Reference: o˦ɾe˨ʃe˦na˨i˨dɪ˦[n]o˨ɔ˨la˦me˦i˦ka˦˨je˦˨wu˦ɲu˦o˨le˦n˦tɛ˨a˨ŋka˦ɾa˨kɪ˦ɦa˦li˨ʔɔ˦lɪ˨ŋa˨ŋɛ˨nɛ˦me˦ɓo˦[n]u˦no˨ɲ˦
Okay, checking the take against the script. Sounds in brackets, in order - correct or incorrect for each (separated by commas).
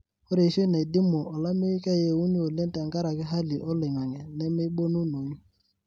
incorrect, correct